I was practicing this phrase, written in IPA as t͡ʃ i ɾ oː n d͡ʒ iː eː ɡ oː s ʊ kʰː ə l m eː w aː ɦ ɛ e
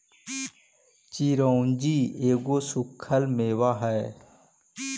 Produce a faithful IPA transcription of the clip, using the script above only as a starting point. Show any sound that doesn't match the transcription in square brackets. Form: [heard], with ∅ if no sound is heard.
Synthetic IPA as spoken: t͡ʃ i ɾ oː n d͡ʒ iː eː ɡ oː s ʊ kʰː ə l m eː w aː ɦ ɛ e